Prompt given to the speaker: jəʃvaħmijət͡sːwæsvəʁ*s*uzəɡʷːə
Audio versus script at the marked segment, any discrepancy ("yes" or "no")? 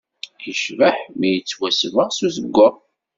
no